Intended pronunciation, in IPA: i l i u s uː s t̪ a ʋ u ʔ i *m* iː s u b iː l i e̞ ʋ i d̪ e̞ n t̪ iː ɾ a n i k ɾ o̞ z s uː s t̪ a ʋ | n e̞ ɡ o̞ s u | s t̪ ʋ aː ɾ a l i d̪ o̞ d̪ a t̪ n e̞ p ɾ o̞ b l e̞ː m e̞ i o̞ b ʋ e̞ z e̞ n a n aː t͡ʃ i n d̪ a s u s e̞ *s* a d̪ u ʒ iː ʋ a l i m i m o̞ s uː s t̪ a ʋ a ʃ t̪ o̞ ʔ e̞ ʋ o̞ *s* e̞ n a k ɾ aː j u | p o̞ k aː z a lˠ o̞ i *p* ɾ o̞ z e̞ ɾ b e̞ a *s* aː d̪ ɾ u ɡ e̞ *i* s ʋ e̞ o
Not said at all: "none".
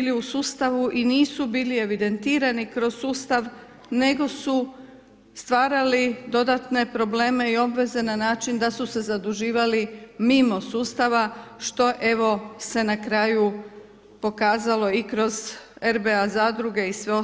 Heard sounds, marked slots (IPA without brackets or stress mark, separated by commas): n, z, s, k, z, i